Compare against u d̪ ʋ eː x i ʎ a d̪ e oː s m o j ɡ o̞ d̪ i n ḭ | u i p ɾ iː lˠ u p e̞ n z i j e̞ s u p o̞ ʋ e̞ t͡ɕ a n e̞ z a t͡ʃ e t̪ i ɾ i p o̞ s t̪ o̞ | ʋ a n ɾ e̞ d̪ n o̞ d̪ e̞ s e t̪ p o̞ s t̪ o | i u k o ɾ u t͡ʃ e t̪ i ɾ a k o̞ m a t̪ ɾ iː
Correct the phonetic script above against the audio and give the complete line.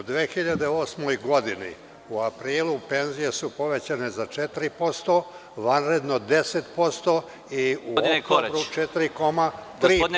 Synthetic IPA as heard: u d̪ ʋ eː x i ʎ a d̪ e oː s m o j ɡ o̞ d̪ i n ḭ | u a p ɾ iː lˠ u p e̞ n z i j e̞ s u p o̞ ʋ e̞ t͡ɕ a n e̞ z a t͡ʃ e t̪ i ɾ i p o̞ s t̪ o̞ | ʋ a n ɾ e̞ d̪ n o̞ d̪ e̞ s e t̪ p o̞ s t̪ o | i u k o ɾ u t͡ʃ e t̪ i ɾ i k o̞ m a t̪ ɾ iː